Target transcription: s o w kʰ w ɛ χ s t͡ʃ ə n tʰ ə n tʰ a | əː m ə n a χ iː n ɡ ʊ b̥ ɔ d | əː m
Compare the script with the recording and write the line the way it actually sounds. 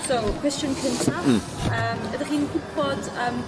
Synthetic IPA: s o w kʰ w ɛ s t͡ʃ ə n kʰ ə n tʰ a | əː m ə d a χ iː n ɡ ʊ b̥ ɔ d | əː m

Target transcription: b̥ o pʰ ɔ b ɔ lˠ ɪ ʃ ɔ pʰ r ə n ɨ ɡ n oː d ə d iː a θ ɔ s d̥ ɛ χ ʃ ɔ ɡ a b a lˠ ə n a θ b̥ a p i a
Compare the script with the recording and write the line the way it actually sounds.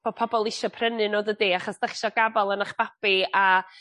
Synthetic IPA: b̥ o pʰ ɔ b ɔ lˠ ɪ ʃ ɔ pʰ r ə n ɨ n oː d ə d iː a χ ɔ s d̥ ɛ χ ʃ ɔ ɡ a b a lˠ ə n a χ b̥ a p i a

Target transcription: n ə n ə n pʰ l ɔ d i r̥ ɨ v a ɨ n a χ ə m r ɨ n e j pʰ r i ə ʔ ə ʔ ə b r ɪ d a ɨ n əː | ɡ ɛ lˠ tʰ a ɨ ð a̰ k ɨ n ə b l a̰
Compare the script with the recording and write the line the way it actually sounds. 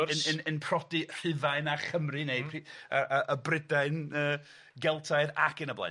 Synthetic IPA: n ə n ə n pʰ r ɔ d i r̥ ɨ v a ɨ n a χ ə m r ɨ n e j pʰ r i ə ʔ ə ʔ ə b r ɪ d a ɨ n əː | ɡ ɛ lˠ tʰ a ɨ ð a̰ k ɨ n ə b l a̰

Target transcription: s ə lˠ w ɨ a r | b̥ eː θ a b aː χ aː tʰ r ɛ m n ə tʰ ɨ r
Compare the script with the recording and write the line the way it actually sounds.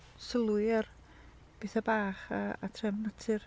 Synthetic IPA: s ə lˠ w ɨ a r | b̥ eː θ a b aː χ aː tʰ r ɛ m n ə tʰ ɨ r

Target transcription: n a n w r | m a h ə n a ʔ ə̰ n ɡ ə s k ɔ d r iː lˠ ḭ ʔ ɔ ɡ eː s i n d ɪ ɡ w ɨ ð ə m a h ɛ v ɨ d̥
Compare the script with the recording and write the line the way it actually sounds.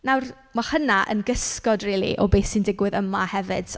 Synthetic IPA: n a w r | m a h ə n a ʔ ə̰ n ɡ ə s k ɔ d r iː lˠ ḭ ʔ ɔ b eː s i n d ɪ ɡ w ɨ ð ə m a h ɛ v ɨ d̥

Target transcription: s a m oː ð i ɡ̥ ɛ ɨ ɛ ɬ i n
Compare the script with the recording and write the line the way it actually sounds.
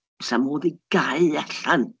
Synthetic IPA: s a m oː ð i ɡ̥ a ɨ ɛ ɬ a n

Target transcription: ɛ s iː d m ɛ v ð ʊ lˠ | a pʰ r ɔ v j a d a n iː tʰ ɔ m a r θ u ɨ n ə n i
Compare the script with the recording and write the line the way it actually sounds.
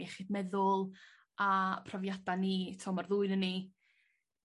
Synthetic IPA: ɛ χ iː d m ɛ ð ʊ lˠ | a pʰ r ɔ v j a d a n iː tʰ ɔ m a r ð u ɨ n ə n i

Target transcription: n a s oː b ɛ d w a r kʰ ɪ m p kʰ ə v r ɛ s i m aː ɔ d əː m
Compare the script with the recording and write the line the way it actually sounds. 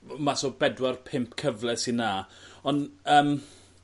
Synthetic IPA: m a s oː b ɛ d w a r pʰ ɪ m p kʰ ə v l ɛ s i n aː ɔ n əː m

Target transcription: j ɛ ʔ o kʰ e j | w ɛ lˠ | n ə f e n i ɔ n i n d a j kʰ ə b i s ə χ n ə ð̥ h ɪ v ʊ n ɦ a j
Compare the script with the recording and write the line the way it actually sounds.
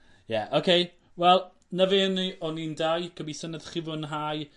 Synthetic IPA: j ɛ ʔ o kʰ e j | w ɛ lˠ | n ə v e n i ɔ n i n d a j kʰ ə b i s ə n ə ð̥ χ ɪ v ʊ n ɦ a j

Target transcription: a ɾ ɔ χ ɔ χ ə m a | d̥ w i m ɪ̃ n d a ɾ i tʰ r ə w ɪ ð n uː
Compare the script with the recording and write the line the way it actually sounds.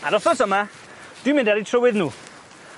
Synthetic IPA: a ɾ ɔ θ ɔ s ə m a | d̥ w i m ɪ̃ n d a ɾ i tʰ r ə w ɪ ð n uː

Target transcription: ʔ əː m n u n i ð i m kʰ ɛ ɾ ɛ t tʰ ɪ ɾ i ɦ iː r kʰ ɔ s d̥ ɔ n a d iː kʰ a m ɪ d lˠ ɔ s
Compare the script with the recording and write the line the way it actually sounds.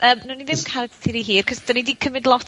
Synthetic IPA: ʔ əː m n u n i ð ɪ m kʰ a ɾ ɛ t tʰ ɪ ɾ i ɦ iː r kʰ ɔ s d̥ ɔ n i d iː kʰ ə m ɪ d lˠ ɔ t

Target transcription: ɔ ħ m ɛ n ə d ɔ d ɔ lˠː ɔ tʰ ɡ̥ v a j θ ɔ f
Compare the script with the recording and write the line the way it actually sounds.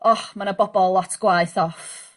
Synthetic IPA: ɔ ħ m a n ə b ɔ b ɔ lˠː ɔ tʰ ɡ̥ w a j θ ɔ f

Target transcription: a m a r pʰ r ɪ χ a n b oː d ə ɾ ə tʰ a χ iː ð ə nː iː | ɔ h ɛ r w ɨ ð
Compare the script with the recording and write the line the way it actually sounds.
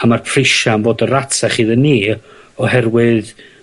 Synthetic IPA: a m a r pʰ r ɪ ʃ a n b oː d ə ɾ a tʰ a χ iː ð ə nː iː | ɔ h ɛ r w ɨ ð

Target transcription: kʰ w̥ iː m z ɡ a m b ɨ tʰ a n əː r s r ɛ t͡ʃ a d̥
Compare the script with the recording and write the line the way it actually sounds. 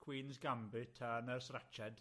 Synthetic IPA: kʰ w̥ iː n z ɡ a m b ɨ tʰ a n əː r s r ɛ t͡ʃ ɛ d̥

